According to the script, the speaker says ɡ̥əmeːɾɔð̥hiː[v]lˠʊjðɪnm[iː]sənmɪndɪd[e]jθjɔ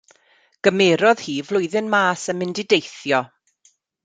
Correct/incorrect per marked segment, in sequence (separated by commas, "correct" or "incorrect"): correct, incorrect, correct